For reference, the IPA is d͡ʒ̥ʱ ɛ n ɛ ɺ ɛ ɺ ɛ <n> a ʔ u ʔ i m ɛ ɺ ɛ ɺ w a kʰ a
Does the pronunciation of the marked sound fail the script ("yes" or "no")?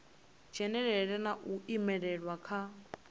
no